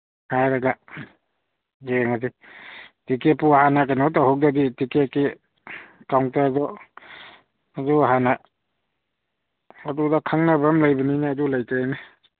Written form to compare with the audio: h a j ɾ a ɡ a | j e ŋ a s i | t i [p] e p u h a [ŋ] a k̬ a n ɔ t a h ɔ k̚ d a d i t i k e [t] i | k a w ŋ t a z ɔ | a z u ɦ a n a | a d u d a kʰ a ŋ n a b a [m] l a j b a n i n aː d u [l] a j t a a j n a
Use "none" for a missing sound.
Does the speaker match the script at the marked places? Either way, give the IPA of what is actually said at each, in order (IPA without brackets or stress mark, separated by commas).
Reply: k, n, k, m, l